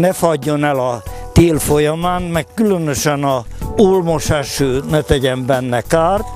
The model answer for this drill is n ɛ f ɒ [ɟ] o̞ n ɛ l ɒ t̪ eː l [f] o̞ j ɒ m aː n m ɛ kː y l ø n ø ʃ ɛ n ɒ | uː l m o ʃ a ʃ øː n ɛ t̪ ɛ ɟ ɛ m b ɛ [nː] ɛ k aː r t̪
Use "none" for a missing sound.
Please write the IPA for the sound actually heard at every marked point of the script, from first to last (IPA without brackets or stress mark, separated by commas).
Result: ɟː, f, nː